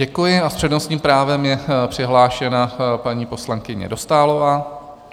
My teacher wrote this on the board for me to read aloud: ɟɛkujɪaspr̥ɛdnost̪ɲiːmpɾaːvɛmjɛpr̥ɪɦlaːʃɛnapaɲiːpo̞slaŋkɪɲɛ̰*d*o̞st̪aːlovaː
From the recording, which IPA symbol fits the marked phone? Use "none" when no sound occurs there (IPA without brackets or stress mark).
d